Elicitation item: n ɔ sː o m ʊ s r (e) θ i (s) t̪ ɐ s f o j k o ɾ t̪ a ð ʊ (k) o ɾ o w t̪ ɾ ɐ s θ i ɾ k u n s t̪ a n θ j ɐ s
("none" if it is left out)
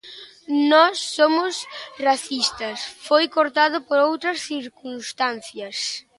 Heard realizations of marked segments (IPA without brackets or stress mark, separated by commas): a, s, p